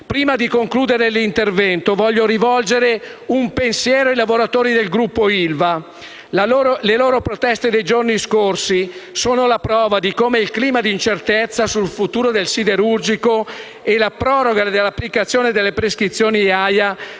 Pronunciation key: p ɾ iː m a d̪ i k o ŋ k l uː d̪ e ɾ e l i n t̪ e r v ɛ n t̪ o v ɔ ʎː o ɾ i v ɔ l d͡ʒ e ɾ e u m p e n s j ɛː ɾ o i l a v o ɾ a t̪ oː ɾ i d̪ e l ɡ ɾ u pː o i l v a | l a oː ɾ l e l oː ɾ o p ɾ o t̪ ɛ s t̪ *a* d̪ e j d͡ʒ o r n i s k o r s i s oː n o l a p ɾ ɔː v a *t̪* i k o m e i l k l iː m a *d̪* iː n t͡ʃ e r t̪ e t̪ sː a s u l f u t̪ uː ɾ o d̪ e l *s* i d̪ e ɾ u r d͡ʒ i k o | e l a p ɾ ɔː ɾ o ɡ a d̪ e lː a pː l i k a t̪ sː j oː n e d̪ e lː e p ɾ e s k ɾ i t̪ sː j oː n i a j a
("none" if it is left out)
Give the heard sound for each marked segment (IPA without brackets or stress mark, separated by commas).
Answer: e, d̪, d̪, s